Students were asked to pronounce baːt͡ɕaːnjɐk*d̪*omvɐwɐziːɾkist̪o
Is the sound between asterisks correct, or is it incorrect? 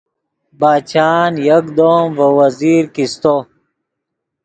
correct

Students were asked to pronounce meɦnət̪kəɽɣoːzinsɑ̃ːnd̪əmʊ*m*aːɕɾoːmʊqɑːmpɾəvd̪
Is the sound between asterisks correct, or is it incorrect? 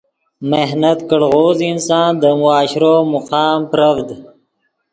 incorrect: none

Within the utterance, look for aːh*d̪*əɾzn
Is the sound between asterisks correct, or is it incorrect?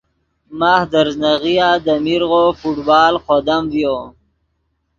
correct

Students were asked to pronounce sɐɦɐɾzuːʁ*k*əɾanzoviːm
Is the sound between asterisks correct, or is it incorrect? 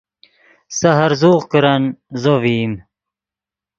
correct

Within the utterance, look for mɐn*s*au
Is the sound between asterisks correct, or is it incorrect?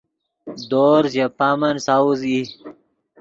correct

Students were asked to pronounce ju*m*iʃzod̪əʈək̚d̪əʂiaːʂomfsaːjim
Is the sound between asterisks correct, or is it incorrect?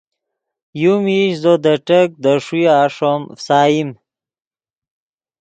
correct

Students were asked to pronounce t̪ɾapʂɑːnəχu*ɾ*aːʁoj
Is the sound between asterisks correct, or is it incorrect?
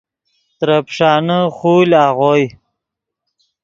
incorrect: l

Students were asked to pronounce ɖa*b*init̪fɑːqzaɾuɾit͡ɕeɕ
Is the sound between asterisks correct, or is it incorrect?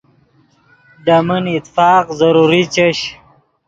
incorrect: m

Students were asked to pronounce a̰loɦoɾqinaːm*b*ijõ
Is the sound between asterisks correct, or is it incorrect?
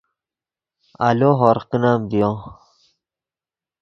correct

